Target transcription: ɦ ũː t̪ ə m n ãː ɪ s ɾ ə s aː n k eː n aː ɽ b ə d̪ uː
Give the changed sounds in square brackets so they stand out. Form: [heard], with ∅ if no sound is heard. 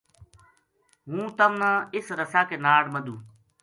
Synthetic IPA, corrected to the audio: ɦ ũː t̪ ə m n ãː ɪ s ɾ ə s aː [∅] k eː n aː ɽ [m] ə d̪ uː